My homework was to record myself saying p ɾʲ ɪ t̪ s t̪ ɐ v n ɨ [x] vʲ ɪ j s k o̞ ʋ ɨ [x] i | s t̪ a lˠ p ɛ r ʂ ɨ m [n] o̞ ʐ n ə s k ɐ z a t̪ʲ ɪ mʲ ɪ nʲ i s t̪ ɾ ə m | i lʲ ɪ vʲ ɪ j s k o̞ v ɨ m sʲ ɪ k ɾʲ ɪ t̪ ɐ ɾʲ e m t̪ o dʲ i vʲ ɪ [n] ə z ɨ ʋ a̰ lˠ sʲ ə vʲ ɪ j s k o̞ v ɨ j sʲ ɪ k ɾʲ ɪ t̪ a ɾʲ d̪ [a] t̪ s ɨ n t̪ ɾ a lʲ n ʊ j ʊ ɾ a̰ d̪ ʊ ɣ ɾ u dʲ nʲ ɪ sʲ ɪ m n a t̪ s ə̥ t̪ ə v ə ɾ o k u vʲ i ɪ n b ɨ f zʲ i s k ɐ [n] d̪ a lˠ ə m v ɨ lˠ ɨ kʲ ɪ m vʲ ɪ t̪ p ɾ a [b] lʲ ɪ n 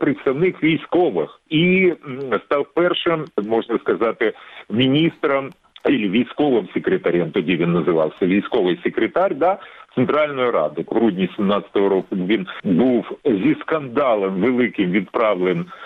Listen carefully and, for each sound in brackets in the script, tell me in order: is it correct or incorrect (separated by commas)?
correct, correct, incorrect, incorrect, correct, correct, incorrect